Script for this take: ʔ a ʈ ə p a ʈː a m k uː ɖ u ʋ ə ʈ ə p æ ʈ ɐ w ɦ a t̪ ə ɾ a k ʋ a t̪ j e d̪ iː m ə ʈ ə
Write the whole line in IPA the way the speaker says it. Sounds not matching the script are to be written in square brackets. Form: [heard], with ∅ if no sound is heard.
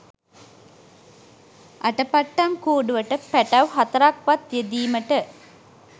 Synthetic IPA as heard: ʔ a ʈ ə p a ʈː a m k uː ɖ u ʋ ə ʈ ə p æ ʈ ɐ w ɦ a t̪ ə ɾ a k ʋ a t̪ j e d̪ iː m ə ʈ ə